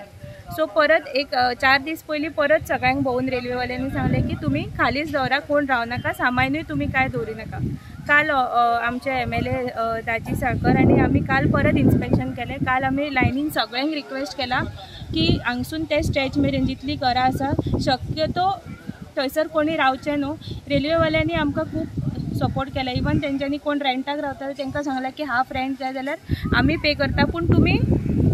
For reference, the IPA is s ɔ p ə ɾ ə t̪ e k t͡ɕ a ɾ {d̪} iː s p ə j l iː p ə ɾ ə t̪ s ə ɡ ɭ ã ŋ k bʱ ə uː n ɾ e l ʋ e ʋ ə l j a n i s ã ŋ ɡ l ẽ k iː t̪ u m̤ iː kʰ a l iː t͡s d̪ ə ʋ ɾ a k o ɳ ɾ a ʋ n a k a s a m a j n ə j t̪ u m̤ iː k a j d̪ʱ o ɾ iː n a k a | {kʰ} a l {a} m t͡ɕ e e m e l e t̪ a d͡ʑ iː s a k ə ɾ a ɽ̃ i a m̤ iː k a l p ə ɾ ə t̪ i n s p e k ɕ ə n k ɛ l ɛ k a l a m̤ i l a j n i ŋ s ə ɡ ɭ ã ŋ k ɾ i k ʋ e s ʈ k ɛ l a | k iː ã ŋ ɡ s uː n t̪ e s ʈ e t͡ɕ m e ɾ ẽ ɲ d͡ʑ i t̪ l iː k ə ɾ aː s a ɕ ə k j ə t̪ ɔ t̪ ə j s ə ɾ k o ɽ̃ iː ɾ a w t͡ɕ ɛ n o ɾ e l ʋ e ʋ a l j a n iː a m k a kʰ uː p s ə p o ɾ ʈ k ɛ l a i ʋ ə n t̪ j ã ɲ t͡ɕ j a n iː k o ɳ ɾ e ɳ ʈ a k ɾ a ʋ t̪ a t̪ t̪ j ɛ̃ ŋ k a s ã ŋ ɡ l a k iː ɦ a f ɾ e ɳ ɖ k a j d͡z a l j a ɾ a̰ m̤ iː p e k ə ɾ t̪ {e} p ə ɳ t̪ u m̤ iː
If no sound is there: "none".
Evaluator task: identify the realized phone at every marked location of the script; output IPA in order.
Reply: d̪, k, a, a

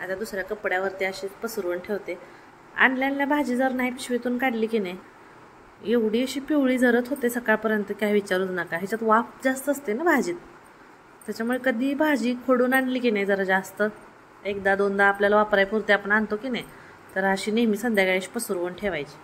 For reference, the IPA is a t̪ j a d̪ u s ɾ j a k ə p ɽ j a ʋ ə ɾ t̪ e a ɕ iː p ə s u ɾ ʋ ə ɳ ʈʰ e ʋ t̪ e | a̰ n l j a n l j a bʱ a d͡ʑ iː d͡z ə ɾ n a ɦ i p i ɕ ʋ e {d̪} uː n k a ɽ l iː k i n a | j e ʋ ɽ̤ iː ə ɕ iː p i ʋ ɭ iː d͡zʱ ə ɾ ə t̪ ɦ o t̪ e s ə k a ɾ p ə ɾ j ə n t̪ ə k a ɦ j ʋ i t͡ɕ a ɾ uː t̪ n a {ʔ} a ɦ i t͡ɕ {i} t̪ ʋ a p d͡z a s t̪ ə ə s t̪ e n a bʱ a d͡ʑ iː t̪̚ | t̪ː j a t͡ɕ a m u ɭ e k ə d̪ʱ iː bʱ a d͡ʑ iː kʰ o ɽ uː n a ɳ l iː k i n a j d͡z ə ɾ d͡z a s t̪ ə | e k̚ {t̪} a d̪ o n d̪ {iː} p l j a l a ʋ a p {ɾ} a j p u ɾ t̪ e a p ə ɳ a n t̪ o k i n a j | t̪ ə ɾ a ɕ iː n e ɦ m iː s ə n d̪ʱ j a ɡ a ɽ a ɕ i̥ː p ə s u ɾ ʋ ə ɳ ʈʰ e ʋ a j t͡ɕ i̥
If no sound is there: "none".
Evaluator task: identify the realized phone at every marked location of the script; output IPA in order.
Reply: t̪, k, a, d̪, aː, ɾ

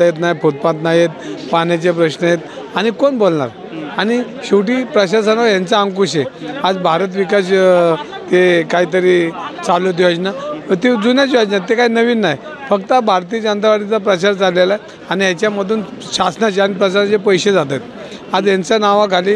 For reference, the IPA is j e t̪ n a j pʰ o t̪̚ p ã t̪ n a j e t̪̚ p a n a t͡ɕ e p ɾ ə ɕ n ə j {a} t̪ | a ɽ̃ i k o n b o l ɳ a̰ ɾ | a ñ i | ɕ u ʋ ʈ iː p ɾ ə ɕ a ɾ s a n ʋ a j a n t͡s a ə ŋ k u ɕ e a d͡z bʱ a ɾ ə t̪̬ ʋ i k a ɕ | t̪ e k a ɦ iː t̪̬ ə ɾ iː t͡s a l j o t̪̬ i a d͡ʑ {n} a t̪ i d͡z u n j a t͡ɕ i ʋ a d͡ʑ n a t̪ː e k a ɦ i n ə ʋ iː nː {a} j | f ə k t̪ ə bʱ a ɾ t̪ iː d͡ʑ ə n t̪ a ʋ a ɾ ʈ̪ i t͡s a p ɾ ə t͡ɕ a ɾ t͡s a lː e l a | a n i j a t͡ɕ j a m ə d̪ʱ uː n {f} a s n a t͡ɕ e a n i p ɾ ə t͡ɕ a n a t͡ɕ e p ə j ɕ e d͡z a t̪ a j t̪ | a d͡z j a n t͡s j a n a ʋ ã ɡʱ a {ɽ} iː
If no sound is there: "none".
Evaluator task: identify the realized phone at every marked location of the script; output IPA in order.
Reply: e, n, a, ɕ, l

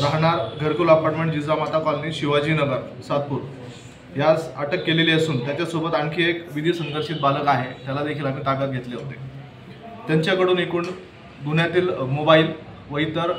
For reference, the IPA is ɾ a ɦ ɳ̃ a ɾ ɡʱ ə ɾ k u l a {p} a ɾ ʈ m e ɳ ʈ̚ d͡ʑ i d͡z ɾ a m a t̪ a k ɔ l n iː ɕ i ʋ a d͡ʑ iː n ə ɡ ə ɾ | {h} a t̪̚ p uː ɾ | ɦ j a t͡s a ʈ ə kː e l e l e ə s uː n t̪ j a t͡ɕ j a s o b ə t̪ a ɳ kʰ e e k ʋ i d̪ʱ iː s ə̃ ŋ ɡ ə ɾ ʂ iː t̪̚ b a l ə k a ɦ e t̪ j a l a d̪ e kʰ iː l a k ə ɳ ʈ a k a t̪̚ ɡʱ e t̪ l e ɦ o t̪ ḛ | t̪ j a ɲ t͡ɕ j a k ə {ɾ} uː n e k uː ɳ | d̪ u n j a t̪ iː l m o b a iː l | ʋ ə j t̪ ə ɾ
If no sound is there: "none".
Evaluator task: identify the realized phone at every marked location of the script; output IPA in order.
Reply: p, s, ɽ

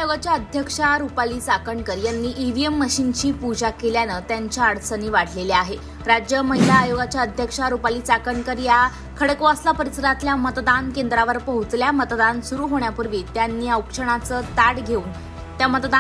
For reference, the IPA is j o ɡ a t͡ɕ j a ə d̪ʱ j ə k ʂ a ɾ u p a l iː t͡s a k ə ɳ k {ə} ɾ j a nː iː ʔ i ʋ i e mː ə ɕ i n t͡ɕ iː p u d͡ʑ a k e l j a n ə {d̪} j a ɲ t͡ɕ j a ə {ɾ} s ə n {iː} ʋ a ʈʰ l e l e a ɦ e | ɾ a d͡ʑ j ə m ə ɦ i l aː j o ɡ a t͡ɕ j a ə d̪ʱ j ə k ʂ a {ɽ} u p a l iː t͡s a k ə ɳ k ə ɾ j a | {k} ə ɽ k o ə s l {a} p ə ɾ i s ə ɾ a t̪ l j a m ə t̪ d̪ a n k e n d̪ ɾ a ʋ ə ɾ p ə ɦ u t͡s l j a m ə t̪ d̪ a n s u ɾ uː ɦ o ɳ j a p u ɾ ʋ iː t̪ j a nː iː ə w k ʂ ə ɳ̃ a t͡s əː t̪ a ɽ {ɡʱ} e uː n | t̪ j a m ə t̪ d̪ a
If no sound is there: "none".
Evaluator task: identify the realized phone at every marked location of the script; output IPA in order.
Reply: ə, t̪, ɽ, iː, ɾ, kʰ, a, ɡʱ

